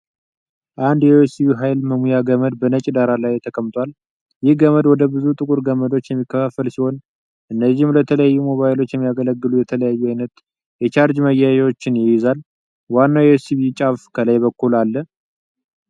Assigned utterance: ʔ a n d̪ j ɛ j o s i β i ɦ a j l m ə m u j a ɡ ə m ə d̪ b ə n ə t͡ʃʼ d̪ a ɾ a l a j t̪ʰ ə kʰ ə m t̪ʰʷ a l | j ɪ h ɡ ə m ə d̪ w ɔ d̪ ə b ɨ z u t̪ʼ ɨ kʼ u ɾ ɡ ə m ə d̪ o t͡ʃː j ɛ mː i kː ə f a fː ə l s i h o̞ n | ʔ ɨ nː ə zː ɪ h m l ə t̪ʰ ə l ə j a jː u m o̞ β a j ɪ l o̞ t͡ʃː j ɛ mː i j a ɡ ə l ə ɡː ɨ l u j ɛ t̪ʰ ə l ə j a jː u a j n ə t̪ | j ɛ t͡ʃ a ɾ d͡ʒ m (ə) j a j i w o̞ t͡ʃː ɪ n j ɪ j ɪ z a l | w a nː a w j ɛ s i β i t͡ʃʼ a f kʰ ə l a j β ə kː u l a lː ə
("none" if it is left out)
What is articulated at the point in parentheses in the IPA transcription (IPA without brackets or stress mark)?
ə